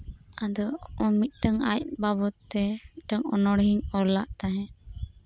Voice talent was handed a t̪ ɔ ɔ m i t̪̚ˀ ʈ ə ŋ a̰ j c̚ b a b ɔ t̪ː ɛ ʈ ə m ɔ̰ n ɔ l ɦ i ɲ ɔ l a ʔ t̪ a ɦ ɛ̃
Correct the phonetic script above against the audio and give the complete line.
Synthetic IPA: a d̪ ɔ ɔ m i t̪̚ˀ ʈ ə ŋ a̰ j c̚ b a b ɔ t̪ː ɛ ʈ ə ŋ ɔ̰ n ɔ ɽ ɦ i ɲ ɔ l a ʔ t̪ a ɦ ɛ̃